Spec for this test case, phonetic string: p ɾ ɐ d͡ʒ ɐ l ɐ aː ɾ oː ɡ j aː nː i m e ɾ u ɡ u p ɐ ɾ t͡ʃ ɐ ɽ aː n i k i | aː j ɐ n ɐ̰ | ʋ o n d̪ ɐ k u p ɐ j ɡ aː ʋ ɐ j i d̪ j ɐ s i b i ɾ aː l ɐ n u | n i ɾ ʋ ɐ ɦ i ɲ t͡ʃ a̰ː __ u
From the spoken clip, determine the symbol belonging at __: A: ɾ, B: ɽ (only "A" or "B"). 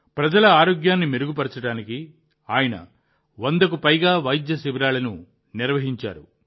A